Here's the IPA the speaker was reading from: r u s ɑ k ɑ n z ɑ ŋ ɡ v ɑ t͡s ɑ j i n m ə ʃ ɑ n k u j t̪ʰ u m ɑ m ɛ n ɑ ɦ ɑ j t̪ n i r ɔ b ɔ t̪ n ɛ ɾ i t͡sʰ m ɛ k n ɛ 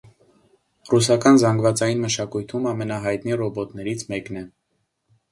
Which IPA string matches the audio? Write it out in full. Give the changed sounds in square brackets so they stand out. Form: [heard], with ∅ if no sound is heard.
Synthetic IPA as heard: r u s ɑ k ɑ n z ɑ ŋ ɡ v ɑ t͡s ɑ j i n m ə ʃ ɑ [∅] k u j t̪ʰ u m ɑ m ɛ n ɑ ɦ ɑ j t̪ n i r ɔ b ɔ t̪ n ɛ ɾ i t͡sʰ m ɛ k n ɛ